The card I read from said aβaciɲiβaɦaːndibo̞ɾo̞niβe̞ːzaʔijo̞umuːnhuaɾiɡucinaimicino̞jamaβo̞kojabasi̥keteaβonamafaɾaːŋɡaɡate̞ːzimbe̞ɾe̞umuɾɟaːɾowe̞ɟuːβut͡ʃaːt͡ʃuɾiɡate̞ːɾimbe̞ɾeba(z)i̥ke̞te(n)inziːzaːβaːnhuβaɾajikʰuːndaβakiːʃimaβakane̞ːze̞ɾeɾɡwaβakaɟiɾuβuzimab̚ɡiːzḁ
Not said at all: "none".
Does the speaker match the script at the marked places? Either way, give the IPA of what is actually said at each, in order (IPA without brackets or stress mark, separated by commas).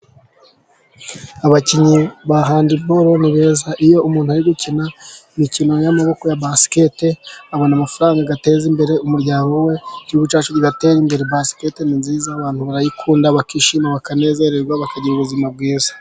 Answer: s, n